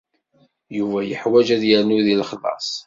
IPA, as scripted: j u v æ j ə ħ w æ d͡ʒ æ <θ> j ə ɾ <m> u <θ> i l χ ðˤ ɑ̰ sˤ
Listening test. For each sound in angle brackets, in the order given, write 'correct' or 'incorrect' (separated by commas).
incorrect, incorrect, incorrect